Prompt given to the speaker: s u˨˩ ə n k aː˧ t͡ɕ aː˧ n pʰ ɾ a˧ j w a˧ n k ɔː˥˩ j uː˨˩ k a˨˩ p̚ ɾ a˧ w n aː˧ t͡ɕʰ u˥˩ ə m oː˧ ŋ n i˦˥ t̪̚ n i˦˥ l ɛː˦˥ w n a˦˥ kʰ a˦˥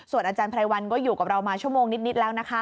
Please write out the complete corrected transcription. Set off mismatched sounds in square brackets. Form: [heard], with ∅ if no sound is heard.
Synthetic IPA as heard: s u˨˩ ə n [ʔ] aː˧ t͡ɕ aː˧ n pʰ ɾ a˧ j w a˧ n k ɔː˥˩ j uː˨˩ k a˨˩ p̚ ɾ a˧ w [m] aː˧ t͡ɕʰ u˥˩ ə m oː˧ ŋ n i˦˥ t̪̚ n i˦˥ l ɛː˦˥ w n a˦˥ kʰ a˦˥